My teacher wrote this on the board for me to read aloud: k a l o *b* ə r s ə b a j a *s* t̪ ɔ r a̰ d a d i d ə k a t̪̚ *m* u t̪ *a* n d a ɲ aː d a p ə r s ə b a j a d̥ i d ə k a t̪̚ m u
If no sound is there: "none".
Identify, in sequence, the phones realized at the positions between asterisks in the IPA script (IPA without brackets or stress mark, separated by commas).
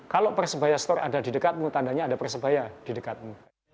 p, s, m, a